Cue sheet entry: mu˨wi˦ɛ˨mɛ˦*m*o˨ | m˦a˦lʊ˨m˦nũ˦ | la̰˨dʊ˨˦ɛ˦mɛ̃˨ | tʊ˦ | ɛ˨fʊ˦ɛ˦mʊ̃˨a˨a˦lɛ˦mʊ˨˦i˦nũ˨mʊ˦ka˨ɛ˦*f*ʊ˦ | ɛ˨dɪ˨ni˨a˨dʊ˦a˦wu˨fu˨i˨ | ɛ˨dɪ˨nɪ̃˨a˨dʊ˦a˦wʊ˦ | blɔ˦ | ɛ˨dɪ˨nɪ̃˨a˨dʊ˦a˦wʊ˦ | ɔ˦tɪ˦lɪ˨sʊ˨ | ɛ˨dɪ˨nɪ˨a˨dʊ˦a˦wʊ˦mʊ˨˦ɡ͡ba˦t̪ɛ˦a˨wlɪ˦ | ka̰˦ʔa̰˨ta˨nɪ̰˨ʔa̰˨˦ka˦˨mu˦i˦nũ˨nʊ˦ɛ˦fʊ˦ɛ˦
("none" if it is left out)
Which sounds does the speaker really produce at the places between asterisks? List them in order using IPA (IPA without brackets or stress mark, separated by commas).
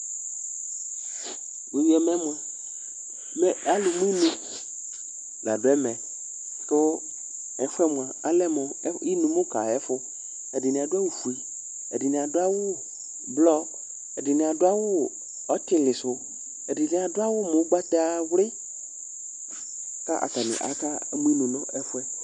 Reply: m, f